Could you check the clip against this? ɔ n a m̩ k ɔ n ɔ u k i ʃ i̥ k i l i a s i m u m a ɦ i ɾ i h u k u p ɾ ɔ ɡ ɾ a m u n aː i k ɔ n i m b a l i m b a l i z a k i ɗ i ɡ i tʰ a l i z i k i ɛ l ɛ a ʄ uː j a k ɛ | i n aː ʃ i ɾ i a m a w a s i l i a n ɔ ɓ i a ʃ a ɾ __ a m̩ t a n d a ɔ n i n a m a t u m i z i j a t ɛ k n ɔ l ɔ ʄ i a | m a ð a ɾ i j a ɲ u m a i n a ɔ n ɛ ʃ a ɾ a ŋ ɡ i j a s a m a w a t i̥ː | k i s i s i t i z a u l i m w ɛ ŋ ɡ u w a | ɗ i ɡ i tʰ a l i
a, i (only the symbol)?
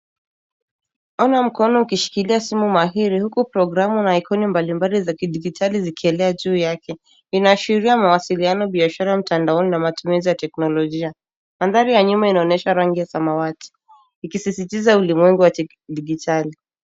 a